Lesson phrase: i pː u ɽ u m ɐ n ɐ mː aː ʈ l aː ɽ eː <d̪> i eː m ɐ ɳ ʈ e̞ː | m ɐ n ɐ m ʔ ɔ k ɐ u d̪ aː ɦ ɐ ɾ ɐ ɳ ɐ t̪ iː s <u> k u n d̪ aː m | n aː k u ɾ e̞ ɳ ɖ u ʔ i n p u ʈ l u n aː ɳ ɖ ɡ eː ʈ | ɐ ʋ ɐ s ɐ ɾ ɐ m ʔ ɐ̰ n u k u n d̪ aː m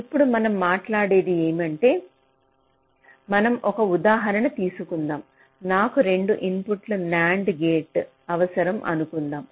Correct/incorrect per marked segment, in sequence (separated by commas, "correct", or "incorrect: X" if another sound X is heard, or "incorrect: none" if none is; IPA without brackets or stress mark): correct, correct